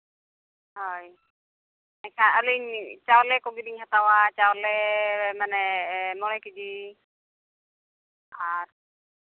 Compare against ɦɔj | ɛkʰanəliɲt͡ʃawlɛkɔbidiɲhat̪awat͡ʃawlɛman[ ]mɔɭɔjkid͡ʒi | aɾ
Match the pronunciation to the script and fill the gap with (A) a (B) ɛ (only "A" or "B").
B